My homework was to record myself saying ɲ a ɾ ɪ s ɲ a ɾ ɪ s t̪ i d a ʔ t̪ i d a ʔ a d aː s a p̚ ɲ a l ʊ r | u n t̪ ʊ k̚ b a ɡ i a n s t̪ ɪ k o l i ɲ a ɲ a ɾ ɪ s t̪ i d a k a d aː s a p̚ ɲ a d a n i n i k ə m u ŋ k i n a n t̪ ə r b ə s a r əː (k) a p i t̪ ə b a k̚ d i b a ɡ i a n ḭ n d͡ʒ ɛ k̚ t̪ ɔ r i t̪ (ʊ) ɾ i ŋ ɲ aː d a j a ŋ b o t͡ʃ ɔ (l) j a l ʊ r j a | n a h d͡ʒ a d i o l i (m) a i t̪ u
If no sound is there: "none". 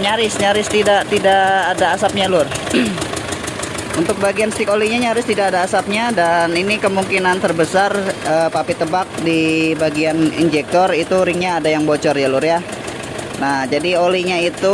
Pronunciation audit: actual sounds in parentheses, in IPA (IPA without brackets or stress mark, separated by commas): p, u, r, ɲ